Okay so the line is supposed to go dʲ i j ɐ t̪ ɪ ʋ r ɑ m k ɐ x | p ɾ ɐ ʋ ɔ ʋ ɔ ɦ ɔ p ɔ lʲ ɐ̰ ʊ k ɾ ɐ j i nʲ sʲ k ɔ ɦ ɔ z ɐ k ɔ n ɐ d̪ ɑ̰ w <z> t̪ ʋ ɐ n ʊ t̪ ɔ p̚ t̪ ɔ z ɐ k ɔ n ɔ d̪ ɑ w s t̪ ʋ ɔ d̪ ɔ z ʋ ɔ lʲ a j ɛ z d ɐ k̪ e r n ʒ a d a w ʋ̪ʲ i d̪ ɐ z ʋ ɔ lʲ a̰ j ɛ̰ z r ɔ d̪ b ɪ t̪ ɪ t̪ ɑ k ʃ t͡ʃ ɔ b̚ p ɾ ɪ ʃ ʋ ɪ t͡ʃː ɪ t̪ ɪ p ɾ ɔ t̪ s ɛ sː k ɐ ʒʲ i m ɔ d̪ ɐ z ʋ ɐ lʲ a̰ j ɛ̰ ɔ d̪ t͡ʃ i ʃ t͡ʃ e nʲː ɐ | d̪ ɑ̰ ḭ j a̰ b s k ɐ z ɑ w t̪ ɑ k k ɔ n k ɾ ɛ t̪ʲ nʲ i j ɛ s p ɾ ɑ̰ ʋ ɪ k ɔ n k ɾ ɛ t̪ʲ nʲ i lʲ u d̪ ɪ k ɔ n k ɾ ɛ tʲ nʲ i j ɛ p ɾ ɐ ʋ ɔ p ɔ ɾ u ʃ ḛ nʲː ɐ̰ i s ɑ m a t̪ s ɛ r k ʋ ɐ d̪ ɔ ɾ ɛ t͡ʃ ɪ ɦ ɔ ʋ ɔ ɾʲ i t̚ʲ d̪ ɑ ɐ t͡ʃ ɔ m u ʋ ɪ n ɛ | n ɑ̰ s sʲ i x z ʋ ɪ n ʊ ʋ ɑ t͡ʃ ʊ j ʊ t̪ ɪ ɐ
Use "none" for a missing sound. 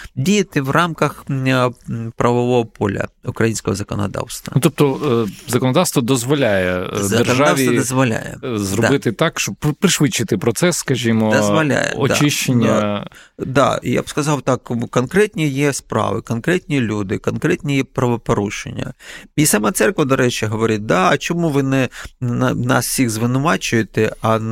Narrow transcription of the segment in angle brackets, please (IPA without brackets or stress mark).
s